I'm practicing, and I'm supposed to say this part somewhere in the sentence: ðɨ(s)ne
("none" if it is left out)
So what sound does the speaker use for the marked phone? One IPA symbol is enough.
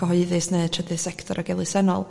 s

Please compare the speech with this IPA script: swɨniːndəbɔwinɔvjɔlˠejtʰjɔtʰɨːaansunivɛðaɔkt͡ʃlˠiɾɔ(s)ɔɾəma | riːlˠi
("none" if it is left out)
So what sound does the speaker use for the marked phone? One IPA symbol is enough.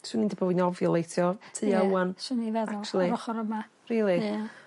χ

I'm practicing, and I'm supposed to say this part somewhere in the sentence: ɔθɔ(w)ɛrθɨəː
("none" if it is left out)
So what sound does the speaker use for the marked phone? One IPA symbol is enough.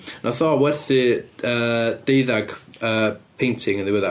w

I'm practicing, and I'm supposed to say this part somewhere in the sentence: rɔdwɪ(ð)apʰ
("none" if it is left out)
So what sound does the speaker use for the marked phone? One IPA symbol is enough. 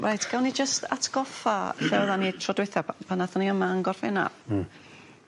θ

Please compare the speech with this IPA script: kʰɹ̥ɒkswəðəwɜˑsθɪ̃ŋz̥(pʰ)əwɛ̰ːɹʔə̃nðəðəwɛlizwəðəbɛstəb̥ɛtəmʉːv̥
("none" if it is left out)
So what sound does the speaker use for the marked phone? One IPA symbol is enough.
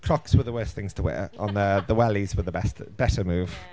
tʰ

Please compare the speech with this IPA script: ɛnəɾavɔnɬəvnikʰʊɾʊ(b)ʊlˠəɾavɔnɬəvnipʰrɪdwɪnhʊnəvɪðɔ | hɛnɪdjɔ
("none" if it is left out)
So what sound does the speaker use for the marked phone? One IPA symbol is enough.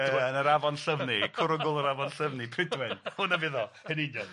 ɡ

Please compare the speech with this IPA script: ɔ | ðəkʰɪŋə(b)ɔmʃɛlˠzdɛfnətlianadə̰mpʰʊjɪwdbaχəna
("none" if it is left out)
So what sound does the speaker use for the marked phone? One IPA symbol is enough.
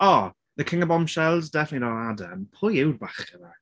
b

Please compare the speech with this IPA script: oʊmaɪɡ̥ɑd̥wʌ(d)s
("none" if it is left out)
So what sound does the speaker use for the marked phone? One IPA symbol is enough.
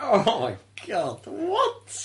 t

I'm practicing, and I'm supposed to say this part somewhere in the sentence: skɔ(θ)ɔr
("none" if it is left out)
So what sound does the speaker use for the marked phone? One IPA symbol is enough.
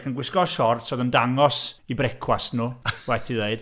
ʃ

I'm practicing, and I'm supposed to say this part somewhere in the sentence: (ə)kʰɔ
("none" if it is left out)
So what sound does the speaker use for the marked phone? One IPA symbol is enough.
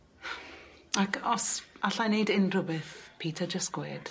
a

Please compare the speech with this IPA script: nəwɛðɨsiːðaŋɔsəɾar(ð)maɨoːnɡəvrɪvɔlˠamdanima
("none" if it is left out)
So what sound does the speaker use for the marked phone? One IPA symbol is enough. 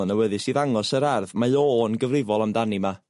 ð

